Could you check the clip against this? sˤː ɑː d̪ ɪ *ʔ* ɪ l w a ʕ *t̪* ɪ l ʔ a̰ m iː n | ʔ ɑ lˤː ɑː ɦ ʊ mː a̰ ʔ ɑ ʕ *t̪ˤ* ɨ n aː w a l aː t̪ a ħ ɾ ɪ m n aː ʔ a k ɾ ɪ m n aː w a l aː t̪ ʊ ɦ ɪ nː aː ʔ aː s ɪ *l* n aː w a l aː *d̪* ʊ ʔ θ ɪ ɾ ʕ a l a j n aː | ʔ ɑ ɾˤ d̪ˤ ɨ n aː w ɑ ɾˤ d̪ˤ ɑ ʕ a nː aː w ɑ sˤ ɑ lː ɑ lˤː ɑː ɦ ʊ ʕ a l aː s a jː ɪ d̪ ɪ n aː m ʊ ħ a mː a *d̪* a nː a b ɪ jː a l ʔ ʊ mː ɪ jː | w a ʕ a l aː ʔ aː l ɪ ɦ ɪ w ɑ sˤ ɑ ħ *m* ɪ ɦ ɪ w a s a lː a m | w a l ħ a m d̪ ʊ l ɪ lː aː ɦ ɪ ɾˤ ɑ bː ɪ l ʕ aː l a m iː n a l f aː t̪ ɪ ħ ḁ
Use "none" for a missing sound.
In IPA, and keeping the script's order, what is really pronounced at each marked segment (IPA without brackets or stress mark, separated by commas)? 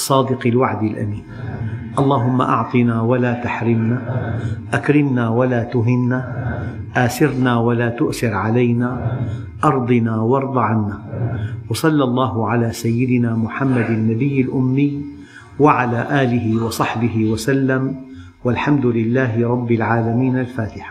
q, d̪, t̪ˤ, ɾ, t̪, d̪, b